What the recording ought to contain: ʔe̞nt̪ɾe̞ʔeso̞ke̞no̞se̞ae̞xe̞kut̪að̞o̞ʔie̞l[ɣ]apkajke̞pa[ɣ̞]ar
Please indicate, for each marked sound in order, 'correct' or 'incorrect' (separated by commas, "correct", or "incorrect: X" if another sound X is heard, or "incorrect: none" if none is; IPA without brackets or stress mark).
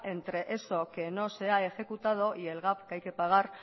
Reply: correct, correct